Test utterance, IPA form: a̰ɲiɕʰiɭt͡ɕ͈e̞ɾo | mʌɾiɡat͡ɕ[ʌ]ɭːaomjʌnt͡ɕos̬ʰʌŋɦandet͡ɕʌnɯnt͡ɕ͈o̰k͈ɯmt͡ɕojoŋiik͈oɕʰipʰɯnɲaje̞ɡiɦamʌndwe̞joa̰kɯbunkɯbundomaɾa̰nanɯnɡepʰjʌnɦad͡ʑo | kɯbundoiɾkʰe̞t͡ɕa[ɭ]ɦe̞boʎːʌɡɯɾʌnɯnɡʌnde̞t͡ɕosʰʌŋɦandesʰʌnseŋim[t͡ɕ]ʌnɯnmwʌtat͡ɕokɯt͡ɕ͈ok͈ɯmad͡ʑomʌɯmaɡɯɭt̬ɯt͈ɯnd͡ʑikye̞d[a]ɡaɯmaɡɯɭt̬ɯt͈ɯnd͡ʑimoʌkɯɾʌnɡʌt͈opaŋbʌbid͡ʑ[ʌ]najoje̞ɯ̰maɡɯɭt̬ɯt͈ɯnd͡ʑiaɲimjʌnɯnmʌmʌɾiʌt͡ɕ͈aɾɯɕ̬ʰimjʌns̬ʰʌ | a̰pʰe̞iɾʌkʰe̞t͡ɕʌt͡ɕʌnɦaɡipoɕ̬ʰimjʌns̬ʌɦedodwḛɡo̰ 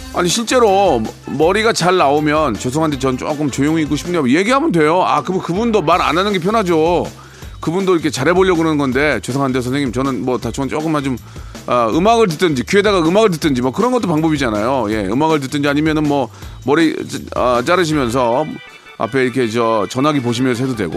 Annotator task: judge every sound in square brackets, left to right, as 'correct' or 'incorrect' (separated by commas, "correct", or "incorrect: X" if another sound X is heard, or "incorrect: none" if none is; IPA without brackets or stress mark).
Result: incorrect: a, incorrect: ɾ, correct, correct, incorrect: a